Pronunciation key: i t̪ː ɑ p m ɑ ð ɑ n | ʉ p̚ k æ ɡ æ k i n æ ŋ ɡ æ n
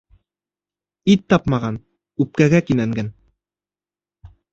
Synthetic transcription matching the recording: i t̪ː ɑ p m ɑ ʁ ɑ n | ʉ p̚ k æ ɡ æ k i n æ ŋ ɡ æ n